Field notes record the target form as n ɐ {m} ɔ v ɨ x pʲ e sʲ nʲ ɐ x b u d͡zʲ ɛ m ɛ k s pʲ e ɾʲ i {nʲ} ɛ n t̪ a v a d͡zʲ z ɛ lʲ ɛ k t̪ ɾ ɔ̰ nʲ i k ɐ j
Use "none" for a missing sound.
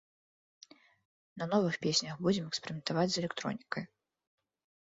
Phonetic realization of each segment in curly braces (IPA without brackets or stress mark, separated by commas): n, mʲ